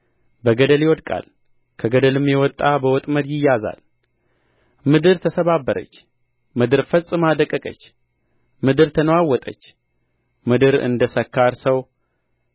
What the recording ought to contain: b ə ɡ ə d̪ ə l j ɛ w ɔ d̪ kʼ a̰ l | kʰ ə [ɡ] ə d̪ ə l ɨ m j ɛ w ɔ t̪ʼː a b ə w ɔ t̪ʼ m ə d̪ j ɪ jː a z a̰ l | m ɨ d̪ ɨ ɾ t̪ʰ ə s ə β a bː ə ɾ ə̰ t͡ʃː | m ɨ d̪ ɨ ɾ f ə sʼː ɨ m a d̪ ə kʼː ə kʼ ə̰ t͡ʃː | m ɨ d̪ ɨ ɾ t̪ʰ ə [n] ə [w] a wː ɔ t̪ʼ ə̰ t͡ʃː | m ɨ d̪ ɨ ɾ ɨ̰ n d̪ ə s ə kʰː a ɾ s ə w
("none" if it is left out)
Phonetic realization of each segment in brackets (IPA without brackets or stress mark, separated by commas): ɡ, n, w